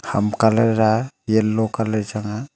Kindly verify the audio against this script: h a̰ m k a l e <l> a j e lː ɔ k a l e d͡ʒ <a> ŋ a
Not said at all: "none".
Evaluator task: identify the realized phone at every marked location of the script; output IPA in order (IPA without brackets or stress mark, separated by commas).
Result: ɾ, a